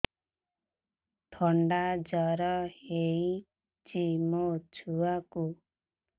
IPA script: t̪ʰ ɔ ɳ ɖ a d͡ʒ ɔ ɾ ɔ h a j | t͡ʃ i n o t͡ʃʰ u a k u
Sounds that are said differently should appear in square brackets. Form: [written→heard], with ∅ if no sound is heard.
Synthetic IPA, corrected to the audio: t̪ʰ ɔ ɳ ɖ a d͡ʒ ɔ ɾ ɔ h [a→e] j | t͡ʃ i [n→m] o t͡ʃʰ u a k u